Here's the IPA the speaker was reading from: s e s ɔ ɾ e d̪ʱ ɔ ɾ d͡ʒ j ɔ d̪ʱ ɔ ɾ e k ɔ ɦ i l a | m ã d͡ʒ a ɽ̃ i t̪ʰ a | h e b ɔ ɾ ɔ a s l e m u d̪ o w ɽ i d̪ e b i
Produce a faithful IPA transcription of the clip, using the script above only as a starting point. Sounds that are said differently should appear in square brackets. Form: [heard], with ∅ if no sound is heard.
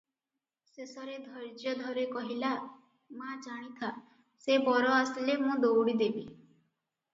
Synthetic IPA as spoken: s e s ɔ ɾ e d̪ʱ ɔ ɾ d͡ʒ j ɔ d̪ʱ ɔ ɾ e k ɔ ɦ i l a | m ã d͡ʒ a ɽ̃ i t̪ʰ a | [s] e b ɔ ɾ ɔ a s l e m [ũ] d̪ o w ɽ i d̪ e b i